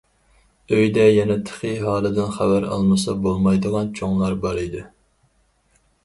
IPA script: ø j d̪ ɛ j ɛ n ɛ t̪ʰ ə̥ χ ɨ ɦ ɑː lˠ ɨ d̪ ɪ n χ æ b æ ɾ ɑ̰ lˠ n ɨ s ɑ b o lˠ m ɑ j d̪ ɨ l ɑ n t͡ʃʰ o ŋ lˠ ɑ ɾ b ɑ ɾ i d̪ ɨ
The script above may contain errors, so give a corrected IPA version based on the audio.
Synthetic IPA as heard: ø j d̪ ɛ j ɛ n ɛ t̪ʰ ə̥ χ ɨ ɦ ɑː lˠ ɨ d̪ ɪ n χ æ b æ ɾ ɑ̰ lˠ m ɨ s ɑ b o lˠ m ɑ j d̪ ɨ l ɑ n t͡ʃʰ o ŋ lˠ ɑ ɾ b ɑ ɾ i d̪ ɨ